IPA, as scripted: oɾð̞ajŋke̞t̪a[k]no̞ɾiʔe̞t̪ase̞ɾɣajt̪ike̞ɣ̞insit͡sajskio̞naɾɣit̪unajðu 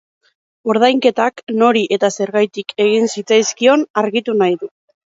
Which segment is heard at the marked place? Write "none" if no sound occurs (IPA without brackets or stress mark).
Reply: k